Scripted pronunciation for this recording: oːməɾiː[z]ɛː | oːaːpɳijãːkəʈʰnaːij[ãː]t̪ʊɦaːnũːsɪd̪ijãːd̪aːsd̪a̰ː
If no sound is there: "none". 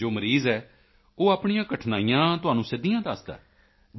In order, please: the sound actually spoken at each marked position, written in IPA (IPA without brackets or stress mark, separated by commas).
z, ãː